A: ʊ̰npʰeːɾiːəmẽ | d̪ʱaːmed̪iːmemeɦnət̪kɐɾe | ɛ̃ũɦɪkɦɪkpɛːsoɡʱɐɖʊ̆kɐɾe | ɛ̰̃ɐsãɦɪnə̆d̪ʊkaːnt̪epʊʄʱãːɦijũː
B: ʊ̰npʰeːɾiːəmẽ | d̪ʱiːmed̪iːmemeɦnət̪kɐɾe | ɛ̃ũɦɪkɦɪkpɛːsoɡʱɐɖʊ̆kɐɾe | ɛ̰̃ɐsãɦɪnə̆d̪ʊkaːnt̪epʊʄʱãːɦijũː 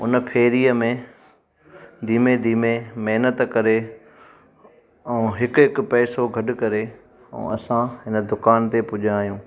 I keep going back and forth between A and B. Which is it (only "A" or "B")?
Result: B